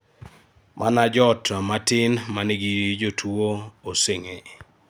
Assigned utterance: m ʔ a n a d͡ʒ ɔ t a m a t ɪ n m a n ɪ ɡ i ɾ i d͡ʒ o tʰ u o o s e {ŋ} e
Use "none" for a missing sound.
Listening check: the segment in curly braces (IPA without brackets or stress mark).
ŋ